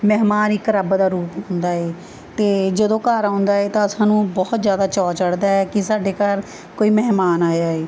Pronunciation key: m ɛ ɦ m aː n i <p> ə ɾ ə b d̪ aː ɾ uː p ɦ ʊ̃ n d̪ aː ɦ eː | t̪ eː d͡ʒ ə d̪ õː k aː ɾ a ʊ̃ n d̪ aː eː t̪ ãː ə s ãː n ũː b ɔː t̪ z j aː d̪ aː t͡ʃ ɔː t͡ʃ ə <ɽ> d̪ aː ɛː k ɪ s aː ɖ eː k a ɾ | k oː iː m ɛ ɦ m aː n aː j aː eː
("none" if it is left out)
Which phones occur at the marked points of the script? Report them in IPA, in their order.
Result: k, ɽ

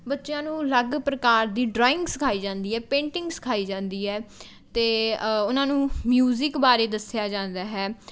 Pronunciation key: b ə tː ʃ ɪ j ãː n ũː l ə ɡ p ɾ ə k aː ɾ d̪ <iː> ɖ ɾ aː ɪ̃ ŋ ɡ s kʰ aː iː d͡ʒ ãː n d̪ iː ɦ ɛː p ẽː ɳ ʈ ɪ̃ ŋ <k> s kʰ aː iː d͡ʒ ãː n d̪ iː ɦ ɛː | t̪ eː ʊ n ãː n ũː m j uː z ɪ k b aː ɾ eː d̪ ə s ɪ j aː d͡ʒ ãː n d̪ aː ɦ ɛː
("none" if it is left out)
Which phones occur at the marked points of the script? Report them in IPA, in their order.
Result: iː, ɡ

